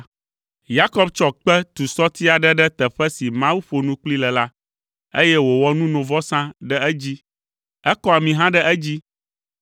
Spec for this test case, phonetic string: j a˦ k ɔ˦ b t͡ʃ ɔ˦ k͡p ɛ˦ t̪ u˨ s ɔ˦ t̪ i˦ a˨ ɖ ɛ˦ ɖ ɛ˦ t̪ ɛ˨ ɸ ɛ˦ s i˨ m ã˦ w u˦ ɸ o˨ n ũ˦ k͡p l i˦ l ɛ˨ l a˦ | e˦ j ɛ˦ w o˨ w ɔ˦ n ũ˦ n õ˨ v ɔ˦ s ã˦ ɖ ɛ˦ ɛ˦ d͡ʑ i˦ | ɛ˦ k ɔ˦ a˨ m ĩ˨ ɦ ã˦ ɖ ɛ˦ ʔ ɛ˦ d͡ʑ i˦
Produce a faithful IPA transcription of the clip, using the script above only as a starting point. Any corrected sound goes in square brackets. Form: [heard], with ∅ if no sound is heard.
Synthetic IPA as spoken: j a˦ k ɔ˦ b t͡ʃ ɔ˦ k͡p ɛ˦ t̪ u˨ s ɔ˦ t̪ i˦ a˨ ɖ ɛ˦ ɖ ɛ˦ t̪ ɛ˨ ɸ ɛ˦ s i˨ m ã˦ w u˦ ɸ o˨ n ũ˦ k͡p l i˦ l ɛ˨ l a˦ | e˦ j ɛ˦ w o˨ w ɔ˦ n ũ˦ n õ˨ v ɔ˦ s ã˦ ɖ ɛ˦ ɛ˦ d͡ʑ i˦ | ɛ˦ k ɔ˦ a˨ m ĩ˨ ɦ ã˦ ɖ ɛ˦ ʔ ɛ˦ d͡ʑ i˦

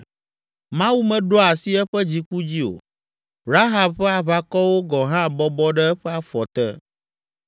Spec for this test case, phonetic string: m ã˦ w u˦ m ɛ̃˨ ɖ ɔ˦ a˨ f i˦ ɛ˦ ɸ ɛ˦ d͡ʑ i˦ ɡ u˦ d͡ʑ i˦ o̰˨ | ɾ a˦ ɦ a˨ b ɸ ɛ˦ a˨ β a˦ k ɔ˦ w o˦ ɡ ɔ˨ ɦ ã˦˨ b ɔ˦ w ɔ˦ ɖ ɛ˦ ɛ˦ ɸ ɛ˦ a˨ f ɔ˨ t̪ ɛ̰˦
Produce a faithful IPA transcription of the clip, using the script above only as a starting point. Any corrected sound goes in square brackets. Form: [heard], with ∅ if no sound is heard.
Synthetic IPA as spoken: m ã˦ w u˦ m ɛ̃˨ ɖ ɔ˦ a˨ [s] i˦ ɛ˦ ɸ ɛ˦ d͡ʑ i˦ [k] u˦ d͡ʑ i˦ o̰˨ | ɾ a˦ ɦ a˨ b ɸ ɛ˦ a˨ β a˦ k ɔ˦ w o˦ ɡ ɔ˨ ɦ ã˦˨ b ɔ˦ [b] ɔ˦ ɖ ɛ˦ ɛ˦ ɸ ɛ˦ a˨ f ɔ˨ t̪ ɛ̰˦

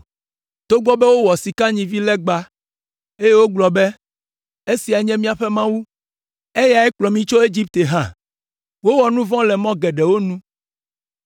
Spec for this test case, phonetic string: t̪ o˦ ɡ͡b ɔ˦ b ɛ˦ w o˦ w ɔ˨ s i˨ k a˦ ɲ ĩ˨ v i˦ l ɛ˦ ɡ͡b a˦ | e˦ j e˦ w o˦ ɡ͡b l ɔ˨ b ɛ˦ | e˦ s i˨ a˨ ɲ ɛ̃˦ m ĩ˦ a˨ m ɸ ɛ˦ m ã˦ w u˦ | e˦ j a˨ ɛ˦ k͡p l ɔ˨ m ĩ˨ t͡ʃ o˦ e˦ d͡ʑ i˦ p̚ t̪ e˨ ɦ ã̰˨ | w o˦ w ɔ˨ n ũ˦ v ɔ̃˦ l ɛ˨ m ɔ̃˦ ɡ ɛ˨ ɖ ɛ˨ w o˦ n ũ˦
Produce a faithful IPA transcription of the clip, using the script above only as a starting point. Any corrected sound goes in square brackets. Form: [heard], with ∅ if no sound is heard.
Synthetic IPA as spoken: t̪ o˦ ɡ͡b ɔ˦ b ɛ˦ w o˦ w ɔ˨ s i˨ k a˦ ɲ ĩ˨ v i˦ l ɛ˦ ɡ͡b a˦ | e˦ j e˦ w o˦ ɡ͡b l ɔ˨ b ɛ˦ | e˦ s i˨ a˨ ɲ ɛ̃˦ m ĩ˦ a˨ [∅] ɸ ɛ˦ m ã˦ w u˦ | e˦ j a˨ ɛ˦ k͡p l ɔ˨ m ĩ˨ t͡ʃ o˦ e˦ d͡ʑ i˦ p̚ t̪ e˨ ɦ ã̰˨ | w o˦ w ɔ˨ n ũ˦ v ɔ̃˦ l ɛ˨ m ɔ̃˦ ɡ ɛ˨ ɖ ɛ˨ w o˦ n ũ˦

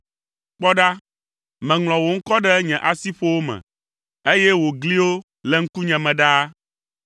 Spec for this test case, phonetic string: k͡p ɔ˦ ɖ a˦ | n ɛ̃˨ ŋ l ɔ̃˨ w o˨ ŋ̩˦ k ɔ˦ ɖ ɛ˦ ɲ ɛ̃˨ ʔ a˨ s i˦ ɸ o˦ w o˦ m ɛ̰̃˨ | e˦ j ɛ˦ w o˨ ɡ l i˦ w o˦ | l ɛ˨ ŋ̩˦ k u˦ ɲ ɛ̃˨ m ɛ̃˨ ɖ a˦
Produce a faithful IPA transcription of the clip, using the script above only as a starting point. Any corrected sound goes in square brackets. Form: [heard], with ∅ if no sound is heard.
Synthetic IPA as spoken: k͡p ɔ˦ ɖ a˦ | [m] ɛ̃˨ ŋ l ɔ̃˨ w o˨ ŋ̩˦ k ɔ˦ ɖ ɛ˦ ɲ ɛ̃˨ ʔ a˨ s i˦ ɸ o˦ w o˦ m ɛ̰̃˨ | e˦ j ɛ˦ w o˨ ɡ l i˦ w o˦ | l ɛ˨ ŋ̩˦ k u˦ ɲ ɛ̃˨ m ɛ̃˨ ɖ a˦

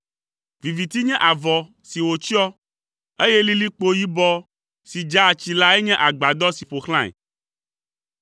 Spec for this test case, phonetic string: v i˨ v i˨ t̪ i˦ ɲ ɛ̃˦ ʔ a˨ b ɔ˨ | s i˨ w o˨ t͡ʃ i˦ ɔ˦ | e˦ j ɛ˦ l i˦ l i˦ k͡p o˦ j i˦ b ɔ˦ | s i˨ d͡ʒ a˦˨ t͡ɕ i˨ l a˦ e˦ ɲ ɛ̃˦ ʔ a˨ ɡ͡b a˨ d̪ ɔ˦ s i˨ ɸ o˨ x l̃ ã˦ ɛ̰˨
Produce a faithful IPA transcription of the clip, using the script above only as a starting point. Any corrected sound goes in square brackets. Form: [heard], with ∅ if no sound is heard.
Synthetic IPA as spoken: v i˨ v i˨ t̪ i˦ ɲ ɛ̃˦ ʔ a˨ [v] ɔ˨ | s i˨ w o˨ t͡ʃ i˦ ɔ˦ | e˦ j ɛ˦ l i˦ l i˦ k͡p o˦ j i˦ b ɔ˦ | s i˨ d͡ʒ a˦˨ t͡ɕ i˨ l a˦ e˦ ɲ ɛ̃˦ ʔ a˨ ɡ͡b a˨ d̪ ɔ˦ s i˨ ɸ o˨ x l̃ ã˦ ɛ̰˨

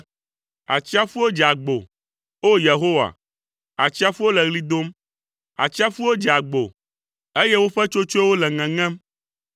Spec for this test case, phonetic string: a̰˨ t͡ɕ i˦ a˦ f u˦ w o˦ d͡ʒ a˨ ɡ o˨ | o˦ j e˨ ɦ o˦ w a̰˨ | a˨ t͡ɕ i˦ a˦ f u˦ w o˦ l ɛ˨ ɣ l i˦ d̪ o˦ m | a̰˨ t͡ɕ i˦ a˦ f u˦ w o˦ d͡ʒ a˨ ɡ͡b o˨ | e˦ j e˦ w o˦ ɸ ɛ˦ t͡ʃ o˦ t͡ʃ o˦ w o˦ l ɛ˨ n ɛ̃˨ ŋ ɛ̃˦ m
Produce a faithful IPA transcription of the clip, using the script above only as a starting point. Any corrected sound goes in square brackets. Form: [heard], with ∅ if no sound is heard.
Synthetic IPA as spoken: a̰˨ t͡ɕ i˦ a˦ f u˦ w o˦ d͡ʒ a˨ [ɡ͡b] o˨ | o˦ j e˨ ɦ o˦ w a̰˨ | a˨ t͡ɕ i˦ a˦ f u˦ w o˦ l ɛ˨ ɣ l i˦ d̪ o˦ m | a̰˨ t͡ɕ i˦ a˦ f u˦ w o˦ d͡ʒ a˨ ɡ͡b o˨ | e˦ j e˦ w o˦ ɸ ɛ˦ t͡ʃ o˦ t͡ʃ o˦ w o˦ l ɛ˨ [ŋ] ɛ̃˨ ŋ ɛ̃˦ m

